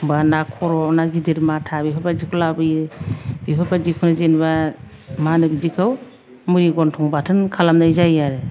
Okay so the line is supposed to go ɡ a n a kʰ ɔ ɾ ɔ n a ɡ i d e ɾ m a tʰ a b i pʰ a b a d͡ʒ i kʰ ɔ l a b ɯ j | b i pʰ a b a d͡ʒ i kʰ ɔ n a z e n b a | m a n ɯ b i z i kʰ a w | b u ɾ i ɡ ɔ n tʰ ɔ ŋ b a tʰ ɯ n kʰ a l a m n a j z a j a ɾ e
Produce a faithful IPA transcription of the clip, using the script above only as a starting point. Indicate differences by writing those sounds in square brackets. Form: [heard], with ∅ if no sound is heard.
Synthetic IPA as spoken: [b] a n a kʰ ɔ ɾ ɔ n a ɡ i d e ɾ m a tʰ a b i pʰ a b a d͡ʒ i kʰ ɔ l a b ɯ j | b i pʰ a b a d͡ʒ i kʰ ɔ n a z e n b a | m a n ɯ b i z i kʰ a w | [m] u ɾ i ɡ ɔ n tʰ ɔ ŋ b a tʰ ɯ n kʰ a l a m n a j z a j a ɾ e